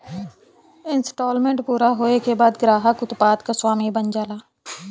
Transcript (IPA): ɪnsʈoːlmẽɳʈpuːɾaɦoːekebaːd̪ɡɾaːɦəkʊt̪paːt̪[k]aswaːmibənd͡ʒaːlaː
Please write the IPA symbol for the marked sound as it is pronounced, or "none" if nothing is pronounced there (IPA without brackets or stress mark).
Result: k